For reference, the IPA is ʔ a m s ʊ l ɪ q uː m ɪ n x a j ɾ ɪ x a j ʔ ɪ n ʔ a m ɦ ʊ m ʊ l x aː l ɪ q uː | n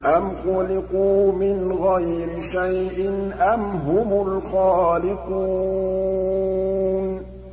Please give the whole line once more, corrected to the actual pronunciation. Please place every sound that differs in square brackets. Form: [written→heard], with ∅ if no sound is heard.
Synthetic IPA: ʔ a m [s→x] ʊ l ɪ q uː m ɪ n [x→ɣ] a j ɾ ɪ [x→ʃ] a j ʔ ɪ n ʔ a m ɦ ʊ m ʊ l x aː l ɪ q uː | n